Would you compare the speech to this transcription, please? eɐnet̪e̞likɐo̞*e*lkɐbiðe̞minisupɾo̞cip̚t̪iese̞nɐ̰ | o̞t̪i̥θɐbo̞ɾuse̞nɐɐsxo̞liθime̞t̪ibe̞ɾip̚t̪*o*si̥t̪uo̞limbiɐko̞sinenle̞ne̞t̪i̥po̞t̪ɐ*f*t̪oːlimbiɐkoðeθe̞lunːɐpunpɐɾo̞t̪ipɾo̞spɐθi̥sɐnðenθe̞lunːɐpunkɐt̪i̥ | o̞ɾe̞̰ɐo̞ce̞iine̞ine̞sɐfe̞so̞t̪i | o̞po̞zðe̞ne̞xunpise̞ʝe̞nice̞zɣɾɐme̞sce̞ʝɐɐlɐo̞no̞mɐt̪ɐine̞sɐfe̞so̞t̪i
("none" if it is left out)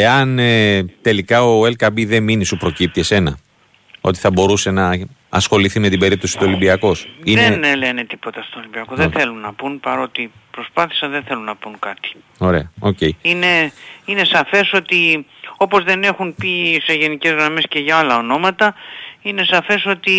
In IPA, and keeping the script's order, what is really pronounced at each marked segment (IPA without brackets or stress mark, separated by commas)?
e, o, s